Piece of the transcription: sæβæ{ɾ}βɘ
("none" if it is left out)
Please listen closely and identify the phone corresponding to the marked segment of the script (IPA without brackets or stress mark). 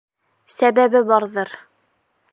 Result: none